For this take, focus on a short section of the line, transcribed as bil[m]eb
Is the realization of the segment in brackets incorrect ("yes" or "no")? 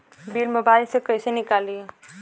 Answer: no